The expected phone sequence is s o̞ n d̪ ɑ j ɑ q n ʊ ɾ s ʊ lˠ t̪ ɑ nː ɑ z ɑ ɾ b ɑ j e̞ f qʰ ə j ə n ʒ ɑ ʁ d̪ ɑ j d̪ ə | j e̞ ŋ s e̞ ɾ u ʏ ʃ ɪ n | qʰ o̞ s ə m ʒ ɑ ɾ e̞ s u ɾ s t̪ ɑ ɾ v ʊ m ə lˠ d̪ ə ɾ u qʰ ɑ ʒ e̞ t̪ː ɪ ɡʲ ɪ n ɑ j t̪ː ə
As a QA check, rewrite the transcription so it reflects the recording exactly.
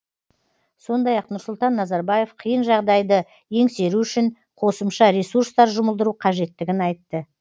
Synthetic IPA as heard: s o̞ n d̪ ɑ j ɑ q n ʊ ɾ s ʊ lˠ t̪ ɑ nː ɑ z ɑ ɾ b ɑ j e̞ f qʰ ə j ə n ʒ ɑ ʁ d̪ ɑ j d̪ ə | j e̞ ŋ s e̞ ɾ u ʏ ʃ ɪ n | qʰ o̞ s ə m ʃ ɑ ɾ e̞ s u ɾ s t̪ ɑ ɾ ʒ ʊ m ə lˠ d̪ ə ɾ u qʰ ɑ ʒ e̞ t̪ː ɪ ɡʲ ɪ n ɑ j t̪ː ə

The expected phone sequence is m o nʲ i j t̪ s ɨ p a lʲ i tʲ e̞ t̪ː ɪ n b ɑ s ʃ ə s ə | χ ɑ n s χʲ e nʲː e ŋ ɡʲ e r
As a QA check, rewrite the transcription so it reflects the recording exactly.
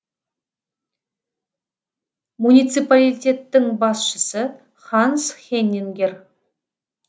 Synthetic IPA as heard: m u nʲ i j t̪ s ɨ p a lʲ i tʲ e̞ t̪ː ɪ ŋ b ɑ s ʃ ə s ə | χ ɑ n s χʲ e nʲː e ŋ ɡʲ e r

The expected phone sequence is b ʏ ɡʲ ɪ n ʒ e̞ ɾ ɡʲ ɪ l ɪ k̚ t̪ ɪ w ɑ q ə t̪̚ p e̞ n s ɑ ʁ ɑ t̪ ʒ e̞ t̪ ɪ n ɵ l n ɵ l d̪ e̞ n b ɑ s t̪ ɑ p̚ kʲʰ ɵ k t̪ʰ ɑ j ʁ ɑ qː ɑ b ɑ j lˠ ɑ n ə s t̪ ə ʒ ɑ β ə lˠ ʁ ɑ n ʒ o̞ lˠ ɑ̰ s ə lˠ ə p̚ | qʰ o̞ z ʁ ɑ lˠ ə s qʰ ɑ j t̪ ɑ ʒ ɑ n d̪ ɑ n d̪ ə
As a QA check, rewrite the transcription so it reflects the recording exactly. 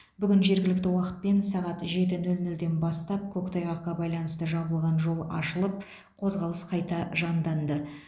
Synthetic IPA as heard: b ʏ ɡʲ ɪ n ʒ e̞ ɾ ɡʲ ɪ l ɪ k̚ t̪ ɪ w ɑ q ə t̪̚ p e̞ n s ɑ ʁ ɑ t̪ ʒ e̞ t̪ ɪ n ɵ l n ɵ l d̪ e̞ n b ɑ s t̪ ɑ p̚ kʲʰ ɵ k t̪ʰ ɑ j ʁ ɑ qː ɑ b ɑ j lˠ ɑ n ə s t̪ ə ʒ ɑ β ə lˠ ʁ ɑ n ʒ o̞ lˠ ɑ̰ ʃ ə lˠ ə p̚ | qʰ o̞ z ʁ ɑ lˠ ə s qʰ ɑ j t̪ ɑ ʒ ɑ n d̪ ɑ n d̪ ə

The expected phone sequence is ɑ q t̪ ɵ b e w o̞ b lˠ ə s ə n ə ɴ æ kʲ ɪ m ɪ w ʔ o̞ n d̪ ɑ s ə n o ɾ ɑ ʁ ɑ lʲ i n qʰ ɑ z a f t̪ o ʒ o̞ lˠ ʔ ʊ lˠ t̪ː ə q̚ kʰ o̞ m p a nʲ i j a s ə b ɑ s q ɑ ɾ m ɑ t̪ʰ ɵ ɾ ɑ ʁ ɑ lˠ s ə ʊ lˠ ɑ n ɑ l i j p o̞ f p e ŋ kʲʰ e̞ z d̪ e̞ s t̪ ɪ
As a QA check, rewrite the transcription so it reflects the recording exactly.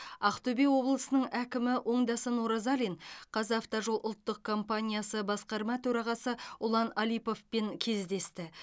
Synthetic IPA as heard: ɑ q t̪ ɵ b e w o̞ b lˠ ə s ə n ə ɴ æ kʲ ɪ m ɪ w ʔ o̞ ɴ d̪ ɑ s ə n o ɾ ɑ z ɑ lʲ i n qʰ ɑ z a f t̪ o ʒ o̞ lˠ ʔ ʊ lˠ t̪ː ə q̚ kʰ o̞ m p a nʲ i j a s ə b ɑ s q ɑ ɾ m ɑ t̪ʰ ɵ ɾ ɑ ʁ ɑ s ə ʊ lˠ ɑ n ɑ l i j p o̞ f p e ŋ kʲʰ e̞ z d̪ e̞ s t̪ ɪ

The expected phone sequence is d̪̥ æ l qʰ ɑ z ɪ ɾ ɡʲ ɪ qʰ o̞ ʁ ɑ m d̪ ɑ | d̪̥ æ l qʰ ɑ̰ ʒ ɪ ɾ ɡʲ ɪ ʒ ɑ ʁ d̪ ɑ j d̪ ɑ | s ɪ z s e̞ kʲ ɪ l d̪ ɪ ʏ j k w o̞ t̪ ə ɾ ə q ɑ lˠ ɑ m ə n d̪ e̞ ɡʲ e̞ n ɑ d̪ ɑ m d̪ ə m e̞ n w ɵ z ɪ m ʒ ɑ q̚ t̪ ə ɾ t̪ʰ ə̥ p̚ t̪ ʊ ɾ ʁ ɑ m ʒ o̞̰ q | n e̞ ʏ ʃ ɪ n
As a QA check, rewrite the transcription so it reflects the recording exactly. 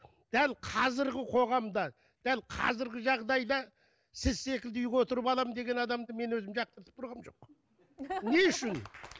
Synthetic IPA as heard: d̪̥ æ l qʰ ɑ z ɪ ɾ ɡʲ ɪ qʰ o̞ ʁ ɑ m d̪ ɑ | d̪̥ æ l qʰ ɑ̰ z ɪ ɾ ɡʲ ɪ ʒ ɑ ʁ d̪ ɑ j d̪ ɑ | s ɪ z s e̞ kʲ ɪ l d̪ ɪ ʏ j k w o̞ t̪ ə ɾ ə p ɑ lˠ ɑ m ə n d̪ e̞ ɡʲ e̞ n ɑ d̪ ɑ m d̪ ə m e̞ n w ɵ z ɪ m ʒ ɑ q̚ t̪ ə ɾ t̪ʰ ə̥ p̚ t̪ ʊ ɾ ʁ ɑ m ʒ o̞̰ q | n e̞ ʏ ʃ ɪ n

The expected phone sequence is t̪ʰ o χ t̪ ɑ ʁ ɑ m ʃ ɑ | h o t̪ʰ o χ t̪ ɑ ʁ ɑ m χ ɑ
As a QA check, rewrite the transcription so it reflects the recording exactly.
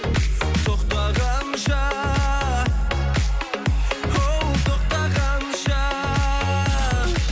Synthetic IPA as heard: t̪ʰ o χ t̪ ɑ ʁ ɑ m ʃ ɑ | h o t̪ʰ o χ t̪ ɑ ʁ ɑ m ʃ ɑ

